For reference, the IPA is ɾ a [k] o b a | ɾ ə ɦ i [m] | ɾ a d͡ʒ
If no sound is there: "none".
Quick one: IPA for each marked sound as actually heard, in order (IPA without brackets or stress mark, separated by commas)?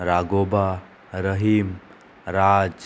ɡ, m